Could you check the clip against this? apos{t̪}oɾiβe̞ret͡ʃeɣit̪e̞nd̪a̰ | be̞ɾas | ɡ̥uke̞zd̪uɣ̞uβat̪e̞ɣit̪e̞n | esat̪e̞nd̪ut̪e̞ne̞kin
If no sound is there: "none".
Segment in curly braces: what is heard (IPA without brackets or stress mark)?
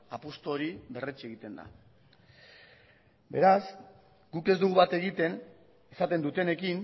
t̪